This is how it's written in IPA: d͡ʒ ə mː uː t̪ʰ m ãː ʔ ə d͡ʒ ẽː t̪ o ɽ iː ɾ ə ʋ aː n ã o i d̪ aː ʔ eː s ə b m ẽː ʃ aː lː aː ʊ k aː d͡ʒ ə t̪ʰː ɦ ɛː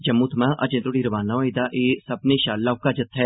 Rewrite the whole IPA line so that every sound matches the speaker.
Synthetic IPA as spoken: d͡ʒ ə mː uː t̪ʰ m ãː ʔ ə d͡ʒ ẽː t̪ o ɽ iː ɾ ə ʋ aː n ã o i d̪ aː ʔ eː s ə b n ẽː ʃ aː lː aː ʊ k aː d͡ʒ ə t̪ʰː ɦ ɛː